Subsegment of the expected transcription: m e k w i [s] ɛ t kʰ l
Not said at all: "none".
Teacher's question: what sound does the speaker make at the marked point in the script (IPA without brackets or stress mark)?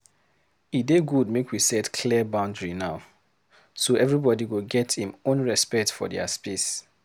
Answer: s